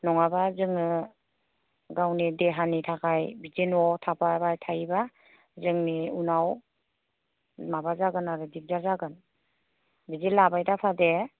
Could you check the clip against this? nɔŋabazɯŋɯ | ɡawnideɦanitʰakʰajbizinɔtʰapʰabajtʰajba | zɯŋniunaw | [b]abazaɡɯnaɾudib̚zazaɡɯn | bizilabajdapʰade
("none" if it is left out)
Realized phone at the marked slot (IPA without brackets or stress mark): m